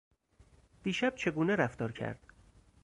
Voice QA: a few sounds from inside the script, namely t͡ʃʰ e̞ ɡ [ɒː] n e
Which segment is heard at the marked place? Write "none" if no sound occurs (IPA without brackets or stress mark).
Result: uː